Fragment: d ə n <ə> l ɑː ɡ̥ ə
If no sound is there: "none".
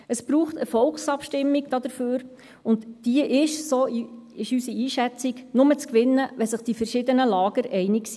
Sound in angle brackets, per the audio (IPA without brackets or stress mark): ə